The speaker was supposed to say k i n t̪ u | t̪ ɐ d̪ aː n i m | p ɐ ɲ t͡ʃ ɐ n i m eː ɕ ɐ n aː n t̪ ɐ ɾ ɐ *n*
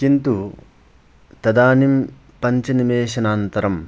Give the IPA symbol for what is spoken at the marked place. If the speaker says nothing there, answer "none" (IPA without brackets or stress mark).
m